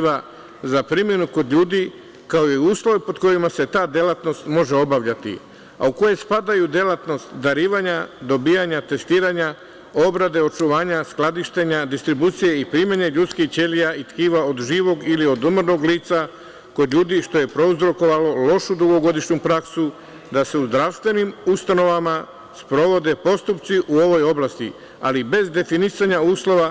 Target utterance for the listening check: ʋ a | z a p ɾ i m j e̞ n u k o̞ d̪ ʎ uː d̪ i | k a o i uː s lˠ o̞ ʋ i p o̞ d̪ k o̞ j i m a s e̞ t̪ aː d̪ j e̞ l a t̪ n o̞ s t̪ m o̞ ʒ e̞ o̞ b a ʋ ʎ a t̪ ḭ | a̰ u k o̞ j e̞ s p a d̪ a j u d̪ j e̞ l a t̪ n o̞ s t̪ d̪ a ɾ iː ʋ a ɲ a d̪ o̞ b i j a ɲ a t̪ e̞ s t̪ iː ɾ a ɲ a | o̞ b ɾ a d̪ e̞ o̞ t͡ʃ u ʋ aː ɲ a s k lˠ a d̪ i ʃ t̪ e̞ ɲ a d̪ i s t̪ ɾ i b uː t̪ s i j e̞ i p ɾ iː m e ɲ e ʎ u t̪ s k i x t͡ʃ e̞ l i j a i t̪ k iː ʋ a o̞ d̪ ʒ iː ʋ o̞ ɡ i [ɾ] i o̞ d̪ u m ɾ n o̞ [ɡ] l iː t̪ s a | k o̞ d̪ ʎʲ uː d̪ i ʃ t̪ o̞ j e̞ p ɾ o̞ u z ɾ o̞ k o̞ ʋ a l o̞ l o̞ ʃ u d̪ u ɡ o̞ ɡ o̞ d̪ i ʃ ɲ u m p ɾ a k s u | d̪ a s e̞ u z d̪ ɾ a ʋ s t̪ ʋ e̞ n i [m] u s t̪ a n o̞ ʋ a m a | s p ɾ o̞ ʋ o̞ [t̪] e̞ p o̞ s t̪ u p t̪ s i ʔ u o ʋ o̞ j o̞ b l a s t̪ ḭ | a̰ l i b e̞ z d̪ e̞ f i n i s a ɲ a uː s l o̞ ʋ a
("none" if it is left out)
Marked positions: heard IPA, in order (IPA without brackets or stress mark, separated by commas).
l, ɡ, m, d̪